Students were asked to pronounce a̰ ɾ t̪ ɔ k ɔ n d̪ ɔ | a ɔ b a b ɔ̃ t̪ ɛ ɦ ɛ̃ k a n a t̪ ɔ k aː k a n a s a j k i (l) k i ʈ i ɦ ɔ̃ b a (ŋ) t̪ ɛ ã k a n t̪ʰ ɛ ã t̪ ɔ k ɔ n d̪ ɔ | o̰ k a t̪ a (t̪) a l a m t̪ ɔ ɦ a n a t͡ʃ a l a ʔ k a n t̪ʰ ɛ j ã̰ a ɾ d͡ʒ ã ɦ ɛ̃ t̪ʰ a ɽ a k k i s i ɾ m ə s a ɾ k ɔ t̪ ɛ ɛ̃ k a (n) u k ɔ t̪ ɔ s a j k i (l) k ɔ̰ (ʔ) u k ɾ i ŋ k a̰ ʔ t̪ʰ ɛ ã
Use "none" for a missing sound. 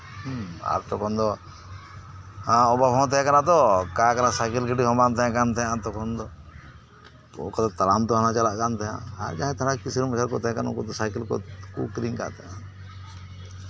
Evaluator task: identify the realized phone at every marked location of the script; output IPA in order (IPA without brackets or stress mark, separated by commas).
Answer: l, n, t̪, n, l, k